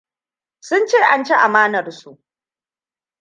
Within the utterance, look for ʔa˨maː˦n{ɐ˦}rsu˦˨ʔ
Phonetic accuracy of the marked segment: incorrect: ɐ˨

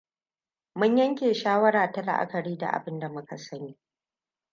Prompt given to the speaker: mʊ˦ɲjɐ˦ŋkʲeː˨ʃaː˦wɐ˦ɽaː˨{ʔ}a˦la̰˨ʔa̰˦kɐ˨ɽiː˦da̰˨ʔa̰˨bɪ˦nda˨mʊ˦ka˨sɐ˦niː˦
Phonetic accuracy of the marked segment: incorrect: t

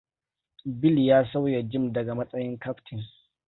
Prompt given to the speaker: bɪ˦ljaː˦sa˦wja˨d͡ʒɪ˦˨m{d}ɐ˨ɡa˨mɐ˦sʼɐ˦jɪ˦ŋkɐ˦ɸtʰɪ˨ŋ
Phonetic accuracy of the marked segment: correct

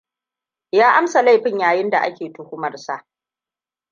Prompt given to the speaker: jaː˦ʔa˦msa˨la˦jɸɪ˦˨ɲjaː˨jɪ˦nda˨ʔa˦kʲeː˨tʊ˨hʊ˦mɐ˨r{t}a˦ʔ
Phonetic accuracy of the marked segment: incorrect: s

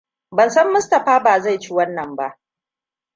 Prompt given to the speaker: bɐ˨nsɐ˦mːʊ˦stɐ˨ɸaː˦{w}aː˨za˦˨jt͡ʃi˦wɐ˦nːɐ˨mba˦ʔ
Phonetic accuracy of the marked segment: incorrect: b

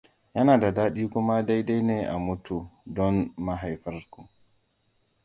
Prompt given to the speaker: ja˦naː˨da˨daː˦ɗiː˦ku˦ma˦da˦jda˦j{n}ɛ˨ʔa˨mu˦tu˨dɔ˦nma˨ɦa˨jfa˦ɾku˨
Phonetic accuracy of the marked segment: correct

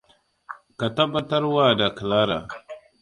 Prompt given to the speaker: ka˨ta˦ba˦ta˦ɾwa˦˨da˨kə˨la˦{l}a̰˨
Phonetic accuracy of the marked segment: incorrect: ɾ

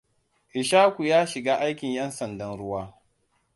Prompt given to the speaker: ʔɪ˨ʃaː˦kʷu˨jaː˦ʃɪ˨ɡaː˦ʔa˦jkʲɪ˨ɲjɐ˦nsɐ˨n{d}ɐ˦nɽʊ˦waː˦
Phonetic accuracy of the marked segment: correct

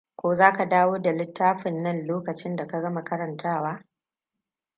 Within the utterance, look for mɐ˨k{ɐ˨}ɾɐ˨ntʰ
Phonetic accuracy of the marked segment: incorrect: ɐ˦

